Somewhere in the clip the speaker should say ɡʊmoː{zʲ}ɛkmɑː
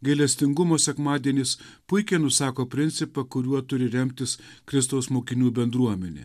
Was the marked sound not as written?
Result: yes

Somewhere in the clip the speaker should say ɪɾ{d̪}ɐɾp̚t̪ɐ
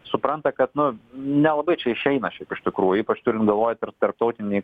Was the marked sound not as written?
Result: yes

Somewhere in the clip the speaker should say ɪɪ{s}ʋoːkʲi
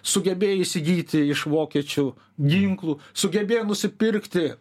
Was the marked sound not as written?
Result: yes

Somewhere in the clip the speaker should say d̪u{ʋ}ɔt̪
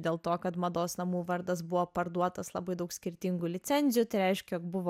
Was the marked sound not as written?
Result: yes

